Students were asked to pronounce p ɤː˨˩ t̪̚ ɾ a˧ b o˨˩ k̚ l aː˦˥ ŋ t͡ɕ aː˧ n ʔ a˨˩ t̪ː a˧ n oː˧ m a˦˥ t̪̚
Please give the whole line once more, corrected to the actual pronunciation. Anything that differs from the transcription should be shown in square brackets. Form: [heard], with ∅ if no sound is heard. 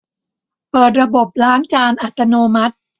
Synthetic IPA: p ɤː˨˩ t̪̚ ɾ a˧ b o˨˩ [p̚] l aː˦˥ ŋ t͡ɕ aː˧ n ʔ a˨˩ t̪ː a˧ n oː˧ m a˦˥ t̪̚

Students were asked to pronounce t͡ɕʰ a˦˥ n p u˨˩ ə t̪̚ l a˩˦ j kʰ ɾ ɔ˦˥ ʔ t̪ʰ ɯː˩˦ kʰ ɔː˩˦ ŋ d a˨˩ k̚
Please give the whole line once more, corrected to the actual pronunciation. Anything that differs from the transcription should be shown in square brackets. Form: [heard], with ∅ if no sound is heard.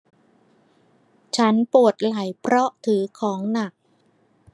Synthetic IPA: t͡ɕʰ a˦˥ n p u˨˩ ə t̪̚ l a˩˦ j [pʰ] ɾ ɔ˦˥ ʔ t̪ʰ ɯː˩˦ kʰ ɔː˩˦ ŋ [n] a˨˩ k̚

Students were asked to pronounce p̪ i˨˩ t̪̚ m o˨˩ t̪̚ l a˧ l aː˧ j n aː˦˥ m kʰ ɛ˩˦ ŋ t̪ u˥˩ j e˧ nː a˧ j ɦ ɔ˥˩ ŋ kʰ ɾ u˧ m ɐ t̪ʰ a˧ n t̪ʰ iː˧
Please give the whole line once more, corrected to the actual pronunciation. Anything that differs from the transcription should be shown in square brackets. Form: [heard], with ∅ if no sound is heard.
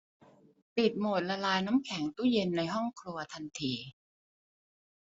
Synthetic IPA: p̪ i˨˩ t̪̚ m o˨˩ t̪̚ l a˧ l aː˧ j n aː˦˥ m kʰ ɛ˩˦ ŋ t̪ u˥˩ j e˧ nː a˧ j ɦ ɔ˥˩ ŋ kʰ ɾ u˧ [∅] ɐ t̪ʰ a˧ n t̪ʰ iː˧

